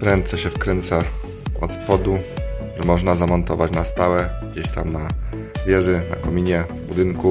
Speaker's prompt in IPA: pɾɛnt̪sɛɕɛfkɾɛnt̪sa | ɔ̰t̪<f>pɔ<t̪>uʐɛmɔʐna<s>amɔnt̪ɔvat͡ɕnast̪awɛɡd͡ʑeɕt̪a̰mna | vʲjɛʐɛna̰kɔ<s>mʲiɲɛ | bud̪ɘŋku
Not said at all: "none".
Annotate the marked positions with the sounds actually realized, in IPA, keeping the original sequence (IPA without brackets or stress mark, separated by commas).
s, d̪, z, none